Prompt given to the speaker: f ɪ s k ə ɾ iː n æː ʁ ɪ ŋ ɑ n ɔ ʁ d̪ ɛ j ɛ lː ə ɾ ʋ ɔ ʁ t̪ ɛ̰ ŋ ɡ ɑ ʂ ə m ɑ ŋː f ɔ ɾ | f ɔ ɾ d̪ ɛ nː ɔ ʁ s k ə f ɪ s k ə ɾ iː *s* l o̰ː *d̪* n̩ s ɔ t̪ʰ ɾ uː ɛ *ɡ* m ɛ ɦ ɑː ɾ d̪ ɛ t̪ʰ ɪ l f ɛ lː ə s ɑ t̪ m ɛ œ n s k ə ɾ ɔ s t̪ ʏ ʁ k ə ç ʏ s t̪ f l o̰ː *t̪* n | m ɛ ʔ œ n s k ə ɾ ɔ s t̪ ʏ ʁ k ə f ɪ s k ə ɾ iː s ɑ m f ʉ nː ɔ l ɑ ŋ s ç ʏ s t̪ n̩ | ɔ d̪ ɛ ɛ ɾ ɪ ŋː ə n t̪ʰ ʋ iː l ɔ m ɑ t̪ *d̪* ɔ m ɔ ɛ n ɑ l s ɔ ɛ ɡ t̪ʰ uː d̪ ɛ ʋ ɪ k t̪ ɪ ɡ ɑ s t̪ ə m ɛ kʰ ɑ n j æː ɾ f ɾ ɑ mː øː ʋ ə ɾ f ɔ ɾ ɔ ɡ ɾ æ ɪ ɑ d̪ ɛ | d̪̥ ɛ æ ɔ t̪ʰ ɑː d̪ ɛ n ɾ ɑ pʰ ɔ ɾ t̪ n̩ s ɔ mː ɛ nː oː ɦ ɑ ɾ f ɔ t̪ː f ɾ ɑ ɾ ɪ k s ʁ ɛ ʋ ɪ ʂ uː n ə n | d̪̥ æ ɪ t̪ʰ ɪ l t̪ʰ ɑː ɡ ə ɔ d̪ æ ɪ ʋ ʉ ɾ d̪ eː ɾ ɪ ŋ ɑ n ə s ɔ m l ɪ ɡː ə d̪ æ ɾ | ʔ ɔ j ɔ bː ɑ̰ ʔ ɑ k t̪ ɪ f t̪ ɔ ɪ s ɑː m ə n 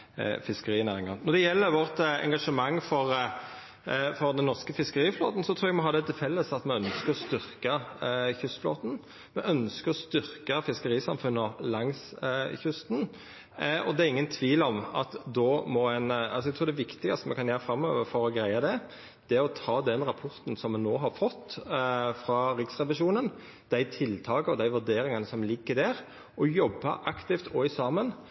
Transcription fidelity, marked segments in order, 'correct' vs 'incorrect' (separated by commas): incorrect, incorrect, correct, correct, correct